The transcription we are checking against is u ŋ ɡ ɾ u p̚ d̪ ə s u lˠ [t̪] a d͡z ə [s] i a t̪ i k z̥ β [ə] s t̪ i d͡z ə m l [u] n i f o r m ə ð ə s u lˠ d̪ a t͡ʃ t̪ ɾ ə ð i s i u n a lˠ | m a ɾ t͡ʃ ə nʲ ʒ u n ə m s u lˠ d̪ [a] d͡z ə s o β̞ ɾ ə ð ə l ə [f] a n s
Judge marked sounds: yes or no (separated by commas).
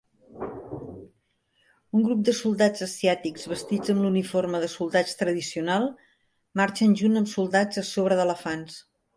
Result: no, yes, yes, yes, yes, yes